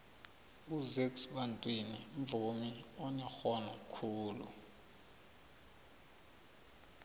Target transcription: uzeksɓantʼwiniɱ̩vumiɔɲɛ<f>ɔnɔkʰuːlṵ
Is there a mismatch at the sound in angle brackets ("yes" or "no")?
yes